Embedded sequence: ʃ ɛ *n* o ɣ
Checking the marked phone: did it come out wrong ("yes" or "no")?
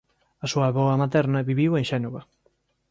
no